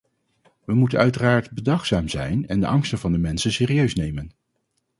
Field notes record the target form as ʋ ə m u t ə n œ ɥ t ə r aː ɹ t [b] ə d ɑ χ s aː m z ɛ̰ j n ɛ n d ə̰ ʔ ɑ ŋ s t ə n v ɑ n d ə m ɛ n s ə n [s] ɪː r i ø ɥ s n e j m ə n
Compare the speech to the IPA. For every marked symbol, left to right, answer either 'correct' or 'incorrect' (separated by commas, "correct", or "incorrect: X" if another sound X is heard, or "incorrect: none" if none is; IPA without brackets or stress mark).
correct, correct